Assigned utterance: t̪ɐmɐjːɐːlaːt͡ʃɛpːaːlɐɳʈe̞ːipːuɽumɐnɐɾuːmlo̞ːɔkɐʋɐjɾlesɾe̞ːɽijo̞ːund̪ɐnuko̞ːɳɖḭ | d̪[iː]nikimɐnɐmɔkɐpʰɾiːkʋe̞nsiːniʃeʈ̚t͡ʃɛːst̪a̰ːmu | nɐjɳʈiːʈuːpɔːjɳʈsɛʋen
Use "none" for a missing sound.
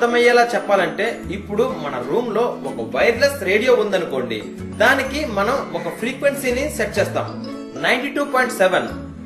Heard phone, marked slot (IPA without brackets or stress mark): aː